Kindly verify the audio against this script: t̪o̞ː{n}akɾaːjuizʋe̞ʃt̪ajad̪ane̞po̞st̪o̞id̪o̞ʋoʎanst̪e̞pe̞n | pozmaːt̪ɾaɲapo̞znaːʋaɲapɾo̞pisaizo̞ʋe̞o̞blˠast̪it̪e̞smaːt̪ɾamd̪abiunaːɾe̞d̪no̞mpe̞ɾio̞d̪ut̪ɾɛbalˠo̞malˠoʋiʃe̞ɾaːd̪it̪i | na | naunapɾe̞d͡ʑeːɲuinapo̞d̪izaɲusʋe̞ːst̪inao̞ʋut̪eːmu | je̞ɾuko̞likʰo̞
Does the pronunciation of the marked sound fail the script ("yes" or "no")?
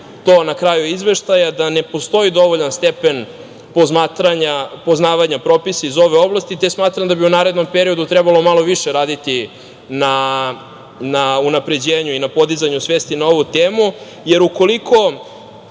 no